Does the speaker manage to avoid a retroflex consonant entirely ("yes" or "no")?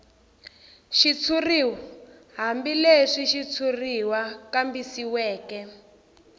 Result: no